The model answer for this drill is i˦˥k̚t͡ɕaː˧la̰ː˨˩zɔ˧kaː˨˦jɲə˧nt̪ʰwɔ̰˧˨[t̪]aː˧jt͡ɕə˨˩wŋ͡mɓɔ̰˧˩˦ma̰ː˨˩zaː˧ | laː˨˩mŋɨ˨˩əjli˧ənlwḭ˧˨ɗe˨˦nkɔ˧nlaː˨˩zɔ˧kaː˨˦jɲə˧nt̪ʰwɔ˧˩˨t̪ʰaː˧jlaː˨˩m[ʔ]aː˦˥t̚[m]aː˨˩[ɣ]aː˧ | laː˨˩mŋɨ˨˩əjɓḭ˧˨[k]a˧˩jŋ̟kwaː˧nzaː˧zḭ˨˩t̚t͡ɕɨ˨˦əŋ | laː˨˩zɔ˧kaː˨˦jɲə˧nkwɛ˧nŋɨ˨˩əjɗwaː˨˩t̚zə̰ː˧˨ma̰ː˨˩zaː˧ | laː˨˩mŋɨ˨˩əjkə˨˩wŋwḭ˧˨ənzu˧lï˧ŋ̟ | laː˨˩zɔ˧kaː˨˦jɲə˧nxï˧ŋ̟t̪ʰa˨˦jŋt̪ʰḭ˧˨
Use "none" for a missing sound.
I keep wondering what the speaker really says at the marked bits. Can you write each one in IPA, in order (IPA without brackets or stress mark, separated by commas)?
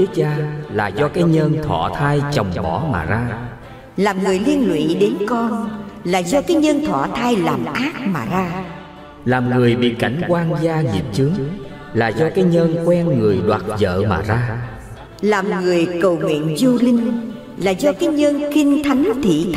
t̪ʰ, ʔ, m, z, k